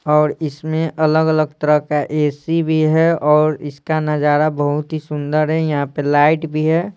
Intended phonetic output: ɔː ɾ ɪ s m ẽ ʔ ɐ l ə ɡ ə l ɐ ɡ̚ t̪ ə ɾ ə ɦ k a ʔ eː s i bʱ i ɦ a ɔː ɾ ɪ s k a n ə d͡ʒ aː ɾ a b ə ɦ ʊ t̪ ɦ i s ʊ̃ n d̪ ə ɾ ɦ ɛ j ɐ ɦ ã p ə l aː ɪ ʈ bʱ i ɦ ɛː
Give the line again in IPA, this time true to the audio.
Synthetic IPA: ɔː ɾ ɪ s m ẽ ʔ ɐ l ə ɡ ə l ə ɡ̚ t̪ ə ɾ ə ɦ k a ʔ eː s i bʱ i ɦ ɛ ɔː ɾ ɪ s k a n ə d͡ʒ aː ɾ a b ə ɦ ʊ t̪ ɦ i s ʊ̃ n d̪ ə ɾ ɦ ɛ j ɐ ɦ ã p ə l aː ɪ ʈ bʱ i ɦ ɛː